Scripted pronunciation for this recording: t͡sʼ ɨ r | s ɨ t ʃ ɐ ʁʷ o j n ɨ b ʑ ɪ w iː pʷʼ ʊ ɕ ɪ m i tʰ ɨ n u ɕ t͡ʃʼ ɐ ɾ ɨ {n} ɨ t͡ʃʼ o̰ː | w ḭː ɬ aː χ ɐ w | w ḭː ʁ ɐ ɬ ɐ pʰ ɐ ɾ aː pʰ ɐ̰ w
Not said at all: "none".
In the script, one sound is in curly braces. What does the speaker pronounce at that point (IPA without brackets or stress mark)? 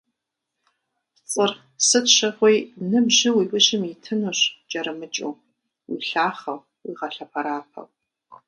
m